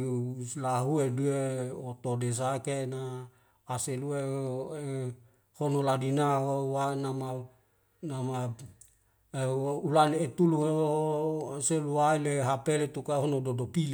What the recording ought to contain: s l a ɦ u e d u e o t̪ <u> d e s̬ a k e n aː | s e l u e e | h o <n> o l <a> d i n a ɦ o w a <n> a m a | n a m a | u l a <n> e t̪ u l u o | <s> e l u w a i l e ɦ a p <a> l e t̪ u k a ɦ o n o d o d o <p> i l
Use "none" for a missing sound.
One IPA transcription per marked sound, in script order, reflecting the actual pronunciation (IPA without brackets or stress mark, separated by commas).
o, n, a, n, n, s, e, p